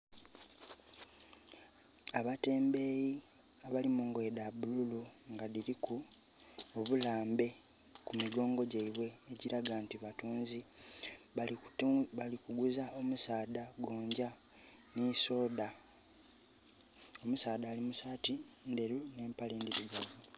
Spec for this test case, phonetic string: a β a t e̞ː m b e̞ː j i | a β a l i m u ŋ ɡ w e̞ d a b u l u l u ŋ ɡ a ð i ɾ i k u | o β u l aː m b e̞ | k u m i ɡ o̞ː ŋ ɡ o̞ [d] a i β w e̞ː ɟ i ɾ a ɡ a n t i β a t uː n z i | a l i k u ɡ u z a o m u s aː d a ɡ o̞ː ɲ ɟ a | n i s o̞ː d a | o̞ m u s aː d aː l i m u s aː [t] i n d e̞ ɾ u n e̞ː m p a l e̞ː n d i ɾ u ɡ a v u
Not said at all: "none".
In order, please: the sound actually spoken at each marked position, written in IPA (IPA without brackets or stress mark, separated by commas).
ɟ, t